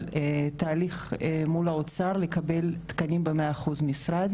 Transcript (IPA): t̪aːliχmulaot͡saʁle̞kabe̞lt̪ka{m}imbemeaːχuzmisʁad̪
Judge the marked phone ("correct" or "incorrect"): incorrect